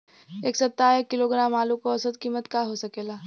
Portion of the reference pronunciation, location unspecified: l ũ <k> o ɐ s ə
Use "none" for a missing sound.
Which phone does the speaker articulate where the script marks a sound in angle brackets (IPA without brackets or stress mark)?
k